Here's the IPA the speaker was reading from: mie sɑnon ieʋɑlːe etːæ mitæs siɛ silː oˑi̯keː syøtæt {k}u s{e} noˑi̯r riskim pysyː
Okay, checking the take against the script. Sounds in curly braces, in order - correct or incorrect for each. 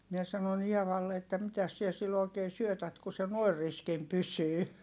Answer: correct, correct

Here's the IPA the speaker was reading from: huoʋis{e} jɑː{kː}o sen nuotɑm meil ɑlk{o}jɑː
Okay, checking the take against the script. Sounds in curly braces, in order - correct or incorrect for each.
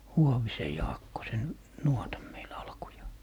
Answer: correct, correct, incorrect: u

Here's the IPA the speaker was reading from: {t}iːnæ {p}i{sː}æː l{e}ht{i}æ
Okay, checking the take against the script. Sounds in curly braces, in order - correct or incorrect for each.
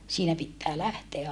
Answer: incorrect: s, correct, incorrect: tː, incorrect: æ, incorrect: e

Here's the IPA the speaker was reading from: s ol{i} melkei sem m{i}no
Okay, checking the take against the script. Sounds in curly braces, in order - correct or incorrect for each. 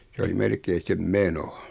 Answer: correct, incorrect: e

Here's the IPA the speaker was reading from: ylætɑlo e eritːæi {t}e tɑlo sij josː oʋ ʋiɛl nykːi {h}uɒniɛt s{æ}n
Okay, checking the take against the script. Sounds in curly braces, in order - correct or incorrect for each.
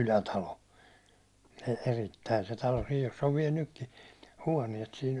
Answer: incorrect: s, correct, incorrect: i

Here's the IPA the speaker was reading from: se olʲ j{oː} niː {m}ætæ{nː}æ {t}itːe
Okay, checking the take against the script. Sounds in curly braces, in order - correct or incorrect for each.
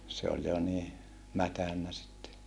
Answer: incorrect: o, correct, correct, incorrect: s

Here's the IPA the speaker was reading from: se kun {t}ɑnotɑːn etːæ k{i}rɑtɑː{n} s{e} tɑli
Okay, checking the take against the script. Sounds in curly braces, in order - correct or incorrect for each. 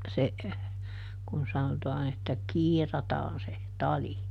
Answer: incorrect: s, incorrect: iː, correct, correct

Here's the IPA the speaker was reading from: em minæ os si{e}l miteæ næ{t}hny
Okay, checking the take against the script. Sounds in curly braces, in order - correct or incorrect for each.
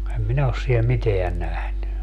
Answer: correct, incorrect: none

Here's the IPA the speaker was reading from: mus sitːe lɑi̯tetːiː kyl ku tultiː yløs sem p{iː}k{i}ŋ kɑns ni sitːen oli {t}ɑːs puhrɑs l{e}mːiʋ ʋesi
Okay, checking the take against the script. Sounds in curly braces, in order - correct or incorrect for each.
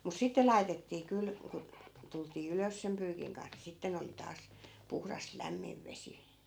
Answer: incorrect: yː, correct, correct, incorrect: æ

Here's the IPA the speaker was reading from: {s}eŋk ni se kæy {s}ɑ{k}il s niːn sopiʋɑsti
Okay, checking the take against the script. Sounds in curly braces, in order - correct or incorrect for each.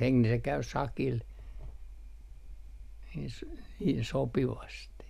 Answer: incorrect: h, correct, correct

